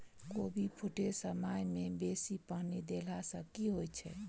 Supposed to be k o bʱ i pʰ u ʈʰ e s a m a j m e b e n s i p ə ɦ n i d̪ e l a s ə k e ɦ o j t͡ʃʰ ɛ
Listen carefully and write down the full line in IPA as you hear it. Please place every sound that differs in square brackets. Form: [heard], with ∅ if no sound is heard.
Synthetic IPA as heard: k o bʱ i pʰ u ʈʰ e s [ə] m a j m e b e [∅] s i p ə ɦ n i d̪ e l a s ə k [i] ɦ o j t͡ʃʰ ɛ